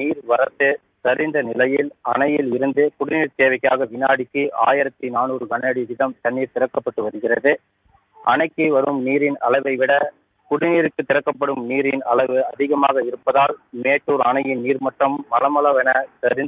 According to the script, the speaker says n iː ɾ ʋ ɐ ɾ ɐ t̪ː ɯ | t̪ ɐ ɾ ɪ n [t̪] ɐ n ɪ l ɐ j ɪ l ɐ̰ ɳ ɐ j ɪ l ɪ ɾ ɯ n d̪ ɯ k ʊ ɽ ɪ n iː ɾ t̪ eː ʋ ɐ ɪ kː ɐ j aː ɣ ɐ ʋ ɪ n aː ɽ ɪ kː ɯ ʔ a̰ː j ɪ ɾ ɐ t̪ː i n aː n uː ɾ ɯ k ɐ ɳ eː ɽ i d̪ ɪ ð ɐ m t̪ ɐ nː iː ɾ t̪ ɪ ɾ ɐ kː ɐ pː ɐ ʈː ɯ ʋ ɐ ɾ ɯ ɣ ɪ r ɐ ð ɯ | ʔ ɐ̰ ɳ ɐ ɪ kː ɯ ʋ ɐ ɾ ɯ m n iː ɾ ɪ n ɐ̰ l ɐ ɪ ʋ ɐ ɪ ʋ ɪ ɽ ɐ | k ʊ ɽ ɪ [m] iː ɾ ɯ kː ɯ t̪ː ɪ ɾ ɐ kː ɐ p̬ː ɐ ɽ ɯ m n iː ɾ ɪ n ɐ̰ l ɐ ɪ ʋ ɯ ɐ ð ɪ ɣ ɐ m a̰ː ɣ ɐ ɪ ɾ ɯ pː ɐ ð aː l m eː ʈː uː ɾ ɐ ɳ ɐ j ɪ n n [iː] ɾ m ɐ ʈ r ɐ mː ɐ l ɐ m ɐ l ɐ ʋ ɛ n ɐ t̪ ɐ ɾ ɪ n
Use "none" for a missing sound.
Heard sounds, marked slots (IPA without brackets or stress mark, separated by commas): d̪, n, iː